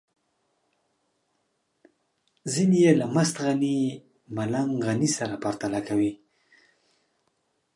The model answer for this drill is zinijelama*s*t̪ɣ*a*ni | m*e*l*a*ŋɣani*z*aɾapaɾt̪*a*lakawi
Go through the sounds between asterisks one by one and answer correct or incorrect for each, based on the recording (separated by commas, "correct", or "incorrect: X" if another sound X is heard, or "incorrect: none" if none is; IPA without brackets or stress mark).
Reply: correct, correct, incorrect: a, correct, incorrect: s, correct